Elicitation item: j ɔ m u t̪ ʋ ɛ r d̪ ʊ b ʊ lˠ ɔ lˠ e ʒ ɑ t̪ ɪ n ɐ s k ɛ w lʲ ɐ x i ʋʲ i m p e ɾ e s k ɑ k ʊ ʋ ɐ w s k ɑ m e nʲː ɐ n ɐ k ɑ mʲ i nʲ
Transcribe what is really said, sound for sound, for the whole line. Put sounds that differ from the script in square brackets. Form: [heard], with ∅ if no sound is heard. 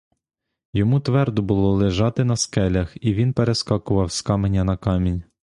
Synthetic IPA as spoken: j ɔ m u t̪ ʋ ɛ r d̪ ʊ b ʊ lˠ ɔ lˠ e ʒ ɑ t̪ ɪ n ɐ s k ɛ [∅] lʲ ɐ x i ʋʲ i [n] p e ɾ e s k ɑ k ʊ ʋ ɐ w s k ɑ m e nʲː ɐ n ɐ k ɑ mʲ i nʲ